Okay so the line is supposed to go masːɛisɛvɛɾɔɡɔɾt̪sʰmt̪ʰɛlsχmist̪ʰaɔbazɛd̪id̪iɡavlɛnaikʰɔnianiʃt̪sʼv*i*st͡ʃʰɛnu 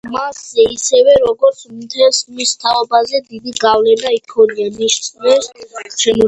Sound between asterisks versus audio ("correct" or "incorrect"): incorrect